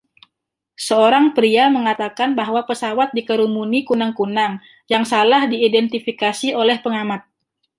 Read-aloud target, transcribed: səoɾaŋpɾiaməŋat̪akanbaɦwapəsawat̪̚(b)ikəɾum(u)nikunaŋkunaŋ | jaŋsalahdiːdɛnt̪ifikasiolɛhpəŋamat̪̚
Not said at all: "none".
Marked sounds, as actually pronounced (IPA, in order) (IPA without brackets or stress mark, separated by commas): d, u